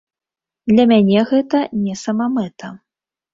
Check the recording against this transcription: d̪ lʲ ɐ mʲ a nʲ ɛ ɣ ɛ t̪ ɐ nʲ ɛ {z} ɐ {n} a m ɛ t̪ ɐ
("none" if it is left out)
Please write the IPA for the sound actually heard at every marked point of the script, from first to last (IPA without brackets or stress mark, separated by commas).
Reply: s, m